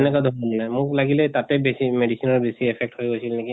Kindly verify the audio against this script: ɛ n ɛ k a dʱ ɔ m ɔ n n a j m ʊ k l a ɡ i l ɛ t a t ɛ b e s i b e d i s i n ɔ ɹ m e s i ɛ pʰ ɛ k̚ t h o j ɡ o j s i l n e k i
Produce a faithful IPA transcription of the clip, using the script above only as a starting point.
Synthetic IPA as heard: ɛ n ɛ k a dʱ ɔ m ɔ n n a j m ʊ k l a ɡ i l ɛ t a t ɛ b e s i m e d i s i n ɔ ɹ b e s i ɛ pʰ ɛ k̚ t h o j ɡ o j s i l n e k i

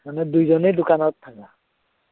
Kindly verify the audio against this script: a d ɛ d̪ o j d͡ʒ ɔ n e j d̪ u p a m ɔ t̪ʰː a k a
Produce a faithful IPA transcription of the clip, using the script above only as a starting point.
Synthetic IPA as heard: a n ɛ d̪ u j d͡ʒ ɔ n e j d̪ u k a n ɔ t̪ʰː a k a

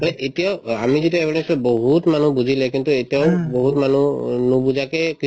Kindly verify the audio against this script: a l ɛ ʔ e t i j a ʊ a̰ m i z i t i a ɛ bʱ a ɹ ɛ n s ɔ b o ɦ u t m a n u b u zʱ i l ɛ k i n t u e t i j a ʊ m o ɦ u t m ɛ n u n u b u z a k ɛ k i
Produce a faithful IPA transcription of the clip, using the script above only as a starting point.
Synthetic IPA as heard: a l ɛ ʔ e t i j a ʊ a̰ m i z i t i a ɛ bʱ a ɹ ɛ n s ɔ b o ɦ u t m a n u b u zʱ i l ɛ k i n t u e t i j a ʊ b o ɦ u t m a n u n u b u z a k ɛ k i

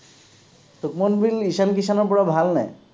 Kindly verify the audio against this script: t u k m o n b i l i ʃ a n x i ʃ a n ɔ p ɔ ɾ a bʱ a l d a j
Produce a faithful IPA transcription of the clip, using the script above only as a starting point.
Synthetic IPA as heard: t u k m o n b i l i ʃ a n k i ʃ a n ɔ p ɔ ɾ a bʱ a l n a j

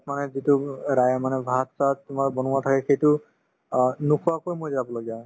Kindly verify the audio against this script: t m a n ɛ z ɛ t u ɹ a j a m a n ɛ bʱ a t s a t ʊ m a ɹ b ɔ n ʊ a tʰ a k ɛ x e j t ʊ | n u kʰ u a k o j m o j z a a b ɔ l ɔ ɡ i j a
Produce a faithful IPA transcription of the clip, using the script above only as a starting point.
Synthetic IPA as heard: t m a n ɛ z i t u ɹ a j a m a n ɛ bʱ a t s a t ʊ m a ɹ b ɔ n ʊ a tʰ a k ɛ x e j t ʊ | n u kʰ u a k o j m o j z a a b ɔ l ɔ ɡ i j a

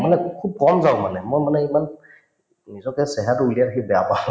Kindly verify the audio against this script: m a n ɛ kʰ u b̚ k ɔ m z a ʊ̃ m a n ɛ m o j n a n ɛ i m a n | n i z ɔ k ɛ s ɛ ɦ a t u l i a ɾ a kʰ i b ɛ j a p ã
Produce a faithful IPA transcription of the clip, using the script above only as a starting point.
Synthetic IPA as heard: m a n ɛ kʰ u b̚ k ɔ m z a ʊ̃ m a n ɛ m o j m a n ɛ i m a n | n i z ɔ k ɛ s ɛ ɦ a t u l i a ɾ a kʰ i b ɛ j a p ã

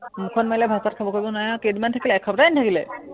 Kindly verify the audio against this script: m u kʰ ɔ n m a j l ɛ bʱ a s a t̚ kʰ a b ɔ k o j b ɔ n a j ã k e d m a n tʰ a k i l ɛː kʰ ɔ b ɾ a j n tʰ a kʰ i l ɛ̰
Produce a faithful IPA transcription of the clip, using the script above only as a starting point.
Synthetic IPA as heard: m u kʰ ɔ n m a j l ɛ bʱ a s a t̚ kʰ a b ɔ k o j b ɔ n a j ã k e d m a n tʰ a k i l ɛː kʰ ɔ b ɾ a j n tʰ a k i l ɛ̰

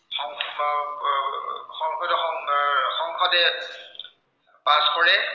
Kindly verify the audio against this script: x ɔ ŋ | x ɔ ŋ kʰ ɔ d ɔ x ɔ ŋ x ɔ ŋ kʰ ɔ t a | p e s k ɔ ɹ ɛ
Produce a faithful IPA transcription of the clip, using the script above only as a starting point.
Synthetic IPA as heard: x ɔ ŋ | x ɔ ŋ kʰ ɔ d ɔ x ɔ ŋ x ɔ ŋ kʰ ɔ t ɛ | p a s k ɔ ɹ ɛ

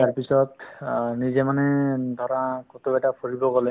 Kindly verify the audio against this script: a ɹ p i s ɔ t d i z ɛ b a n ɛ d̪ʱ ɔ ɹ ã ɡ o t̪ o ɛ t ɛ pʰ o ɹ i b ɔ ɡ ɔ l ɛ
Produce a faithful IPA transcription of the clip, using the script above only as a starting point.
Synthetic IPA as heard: a ɹ p i s ɔ t n i z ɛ m a n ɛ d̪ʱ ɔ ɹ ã k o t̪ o ɛ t a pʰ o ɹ i b ɔ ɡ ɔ l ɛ

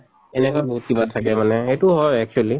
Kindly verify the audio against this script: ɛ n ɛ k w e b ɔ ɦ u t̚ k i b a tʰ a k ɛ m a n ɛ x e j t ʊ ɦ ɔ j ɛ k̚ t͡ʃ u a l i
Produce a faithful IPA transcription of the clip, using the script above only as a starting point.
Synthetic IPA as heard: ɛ n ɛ k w a b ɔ ɦ u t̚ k i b a tʰ a k ɛ m a n ɛ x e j t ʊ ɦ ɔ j ɛ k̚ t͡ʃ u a l i

